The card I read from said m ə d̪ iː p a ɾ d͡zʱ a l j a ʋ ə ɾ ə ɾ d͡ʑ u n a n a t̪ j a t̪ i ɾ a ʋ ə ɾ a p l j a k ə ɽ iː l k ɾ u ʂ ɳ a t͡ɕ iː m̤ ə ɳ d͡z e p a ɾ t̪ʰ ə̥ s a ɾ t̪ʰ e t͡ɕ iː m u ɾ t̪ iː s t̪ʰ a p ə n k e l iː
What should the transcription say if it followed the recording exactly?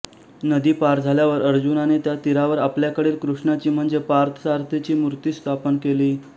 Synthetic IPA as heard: n ə d̪ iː p a ɾ d͡zʱ a l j a ʋ ə ɾ ə ɾ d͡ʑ u n a n e t̪ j a t̪ i ɾ a ʋ ə ɾ a p l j a k ə ɽ iː l k ɾ u ʂ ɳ a t͡ɕ iː m̤ ə ɳ d͡z e p a ɾ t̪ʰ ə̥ s a ɾ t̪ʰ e t͡ɕ iː m u ɾ t̪ iː s t̪ʰ a p ə n k e l iː

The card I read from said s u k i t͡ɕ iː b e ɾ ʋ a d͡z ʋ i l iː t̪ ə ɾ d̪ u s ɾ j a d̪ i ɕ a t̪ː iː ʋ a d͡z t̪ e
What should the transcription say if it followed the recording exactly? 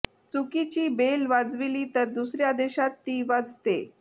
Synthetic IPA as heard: t͡s u k i t͡ɕ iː b e l ʋ a d͡z ʋ i l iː t̪ ə ɾ d̪ u s ɾ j a d̪ e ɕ a t̪ː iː ʋ a d͡z t̪ e

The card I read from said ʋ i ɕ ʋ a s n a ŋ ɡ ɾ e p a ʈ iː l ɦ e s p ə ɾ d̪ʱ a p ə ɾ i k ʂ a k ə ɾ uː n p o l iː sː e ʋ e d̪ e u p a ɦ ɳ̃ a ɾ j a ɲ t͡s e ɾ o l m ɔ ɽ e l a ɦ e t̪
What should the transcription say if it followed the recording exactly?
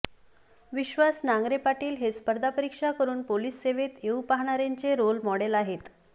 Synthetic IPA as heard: ʋ i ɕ ʋ a s n a ŋ ɡ ɾ e p a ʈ iː l ɦ e s p ə ɾ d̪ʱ a p ə ɾ i k ʂ a k ə ɾ uː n p o l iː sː e ʋ e t̪ e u p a ɦ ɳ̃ a ɾ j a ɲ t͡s e ɾ o l m ɔ ɽ e l a ɦ e t̪

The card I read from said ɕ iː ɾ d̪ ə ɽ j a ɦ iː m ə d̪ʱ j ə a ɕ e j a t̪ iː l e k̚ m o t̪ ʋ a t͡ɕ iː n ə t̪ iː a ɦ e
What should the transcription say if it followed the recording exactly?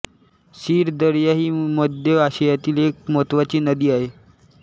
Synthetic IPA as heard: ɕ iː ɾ d̪ ə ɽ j a ɦ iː m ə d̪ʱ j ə a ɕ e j a t̪ iː l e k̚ m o t̪ ʋ a t͡ɕ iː n ə d̪ iː a ɦ e

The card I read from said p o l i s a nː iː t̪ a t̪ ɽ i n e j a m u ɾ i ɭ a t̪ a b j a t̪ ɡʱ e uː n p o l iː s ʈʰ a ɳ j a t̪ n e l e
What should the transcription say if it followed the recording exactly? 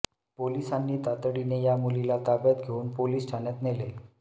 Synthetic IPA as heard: p o l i s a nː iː t̪ a t̪ ɽ i n e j a m u l i l a t̪ a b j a t̪ ɡʱ e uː n p o l iː s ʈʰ a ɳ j a t̪ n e l e

